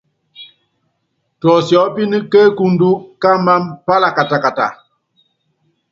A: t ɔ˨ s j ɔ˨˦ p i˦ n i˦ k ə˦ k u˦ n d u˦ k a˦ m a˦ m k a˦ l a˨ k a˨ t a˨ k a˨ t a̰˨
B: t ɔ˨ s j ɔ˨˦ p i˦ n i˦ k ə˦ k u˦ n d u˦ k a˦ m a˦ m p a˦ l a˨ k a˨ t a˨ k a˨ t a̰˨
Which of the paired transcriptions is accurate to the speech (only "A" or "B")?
B